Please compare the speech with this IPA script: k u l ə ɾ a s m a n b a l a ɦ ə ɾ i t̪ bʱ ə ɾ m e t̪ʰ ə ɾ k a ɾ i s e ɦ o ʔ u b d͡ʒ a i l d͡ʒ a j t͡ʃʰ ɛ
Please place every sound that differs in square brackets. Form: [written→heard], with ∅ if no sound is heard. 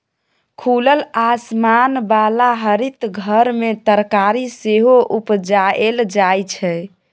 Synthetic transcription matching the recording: [k→kʰ] u l ə [ɾ→l] a s m a n b a l a ɦ ə ɾ i t̪ [bʱ→ɡʱ] ə ɾ m e [t̪ʰ→t̪] ə ɾ k a ɾ i s e ɦ o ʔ u [b→p] d͡ʒ a [i→e] l d͡ʒ a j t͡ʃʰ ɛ